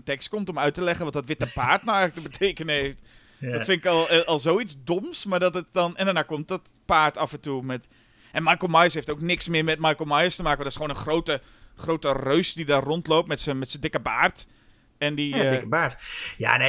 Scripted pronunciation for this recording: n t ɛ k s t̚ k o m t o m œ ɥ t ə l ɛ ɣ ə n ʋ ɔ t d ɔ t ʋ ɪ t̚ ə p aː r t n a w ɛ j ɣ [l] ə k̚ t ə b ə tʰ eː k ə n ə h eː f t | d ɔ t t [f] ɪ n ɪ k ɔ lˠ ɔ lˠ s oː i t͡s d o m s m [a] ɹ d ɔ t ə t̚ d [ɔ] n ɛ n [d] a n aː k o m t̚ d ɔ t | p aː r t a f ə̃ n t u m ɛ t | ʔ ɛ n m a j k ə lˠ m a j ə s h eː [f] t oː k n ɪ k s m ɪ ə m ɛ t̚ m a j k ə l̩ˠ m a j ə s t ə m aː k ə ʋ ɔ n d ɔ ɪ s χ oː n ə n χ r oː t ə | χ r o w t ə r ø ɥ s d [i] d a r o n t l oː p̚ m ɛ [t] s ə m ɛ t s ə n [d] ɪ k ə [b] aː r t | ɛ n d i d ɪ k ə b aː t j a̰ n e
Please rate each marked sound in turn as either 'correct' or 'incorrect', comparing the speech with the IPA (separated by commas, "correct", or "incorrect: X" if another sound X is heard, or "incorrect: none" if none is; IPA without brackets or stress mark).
correct, correct, correct, correct, correct, correct, correct, correct, correct, correct